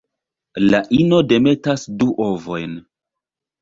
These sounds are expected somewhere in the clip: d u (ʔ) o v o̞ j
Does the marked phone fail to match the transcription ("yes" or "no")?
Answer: no